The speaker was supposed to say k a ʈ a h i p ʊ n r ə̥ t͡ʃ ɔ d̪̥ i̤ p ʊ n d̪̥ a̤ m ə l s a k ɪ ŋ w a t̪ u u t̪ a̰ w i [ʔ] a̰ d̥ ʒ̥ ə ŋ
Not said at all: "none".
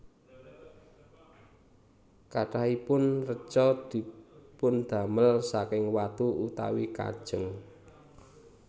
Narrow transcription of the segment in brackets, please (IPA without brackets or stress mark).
k